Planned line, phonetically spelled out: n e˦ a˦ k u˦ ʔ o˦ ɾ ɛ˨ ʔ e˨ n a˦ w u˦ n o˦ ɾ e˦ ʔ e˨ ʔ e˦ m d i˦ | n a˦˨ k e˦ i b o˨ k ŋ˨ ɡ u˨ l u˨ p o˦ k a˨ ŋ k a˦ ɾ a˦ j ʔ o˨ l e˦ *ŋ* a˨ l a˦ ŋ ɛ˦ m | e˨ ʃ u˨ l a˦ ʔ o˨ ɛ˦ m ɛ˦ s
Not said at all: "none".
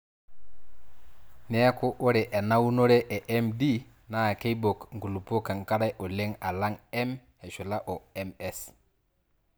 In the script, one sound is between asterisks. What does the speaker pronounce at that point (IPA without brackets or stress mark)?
ŋ